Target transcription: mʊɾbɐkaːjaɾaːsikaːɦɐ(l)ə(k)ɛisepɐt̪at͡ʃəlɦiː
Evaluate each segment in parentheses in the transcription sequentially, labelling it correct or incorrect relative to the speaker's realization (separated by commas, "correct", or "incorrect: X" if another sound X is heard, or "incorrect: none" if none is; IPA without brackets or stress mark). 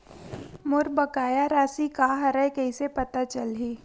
incorrect: ɾ, correct